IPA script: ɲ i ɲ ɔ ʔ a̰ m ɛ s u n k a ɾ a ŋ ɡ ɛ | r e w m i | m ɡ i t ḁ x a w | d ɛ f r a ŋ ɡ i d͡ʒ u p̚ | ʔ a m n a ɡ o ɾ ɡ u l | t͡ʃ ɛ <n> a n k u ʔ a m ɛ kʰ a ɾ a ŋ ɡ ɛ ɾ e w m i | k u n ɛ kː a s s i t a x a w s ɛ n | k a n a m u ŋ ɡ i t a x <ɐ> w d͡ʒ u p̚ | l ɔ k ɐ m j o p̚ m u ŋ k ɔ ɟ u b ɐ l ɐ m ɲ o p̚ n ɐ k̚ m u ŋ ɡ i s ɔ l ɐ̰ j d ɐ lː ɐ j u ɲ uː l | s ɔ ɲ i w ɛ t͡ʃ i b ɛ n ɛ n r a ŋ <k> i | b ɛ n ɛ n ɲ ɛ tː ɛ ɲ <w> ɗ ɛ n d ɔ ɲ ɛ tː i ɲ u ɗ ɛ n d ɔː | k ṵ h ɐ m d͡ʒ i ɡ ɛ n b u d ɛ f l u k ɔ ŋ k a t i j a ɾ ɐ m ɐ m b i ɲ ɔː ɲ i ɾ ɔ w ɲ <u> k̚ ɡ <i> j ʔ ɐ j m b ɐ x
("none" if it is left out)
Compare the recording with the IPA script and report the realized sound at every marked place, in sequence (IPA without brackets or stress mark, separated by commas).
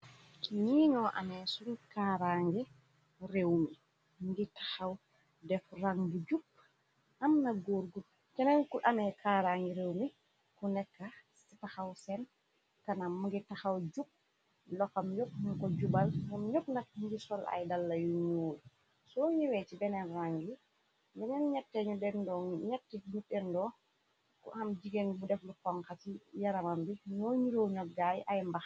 n, a, ɡ, u, ɔ, a